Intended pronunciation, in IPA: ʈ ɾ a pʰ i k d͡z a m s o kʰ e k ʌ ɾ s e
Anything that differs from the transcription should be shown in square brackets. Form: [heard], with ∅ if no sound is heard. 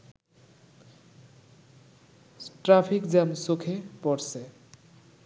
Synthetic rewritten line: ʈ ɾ a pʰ i k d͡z a m s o kʰ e [p] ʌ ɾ s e